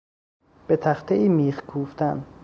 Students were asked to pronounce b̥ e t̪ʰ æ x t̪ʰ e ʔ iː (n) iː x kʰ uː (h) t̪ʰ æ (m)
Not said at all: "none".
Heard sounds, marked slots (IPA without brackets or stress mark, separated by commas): m, f, n